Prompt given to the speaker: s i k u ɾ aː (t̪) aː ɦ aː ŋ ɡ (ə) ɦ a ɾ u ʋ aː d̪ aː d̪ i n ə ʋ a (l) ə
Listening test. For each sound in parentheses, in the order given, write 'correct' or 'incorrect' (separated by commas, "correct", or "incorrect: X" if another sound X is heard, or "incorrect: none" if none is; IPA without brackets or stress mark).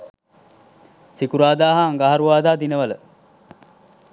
incorrect: d̪, incorrect: a, correct